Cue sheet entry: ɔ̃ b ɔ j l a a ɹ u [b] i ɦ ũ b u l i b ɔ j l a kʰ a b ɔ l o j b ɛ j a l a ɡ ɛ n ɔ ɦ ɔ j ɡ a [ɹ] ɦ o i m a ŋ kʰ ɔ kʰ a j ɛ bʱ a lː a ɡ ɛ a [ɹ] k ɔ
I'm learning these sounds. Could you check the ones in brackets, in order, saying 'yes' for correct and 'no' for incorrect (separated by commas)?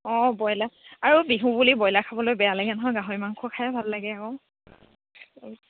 yes, no, no